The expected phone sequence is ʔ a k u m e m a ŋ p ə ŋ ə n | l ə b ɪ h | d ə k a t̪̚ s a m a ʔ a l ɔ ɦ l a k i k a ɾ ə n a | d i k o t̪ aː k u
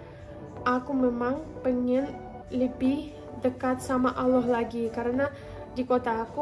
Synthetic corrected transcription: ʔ a k u m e m a ŋ p ə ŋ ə n | l ə b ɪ h | d ə k a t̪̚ s a m a ʔ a l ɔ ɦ l a ɡ i k a ɾ ə n a | d i k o t̪ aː k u